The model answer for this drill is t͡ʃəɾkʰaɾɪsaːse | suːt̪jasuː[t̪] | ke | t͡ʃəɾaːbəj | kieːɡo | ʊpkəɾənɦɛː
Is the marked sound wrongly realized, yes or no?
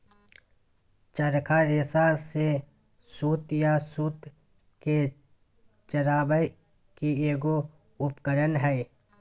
no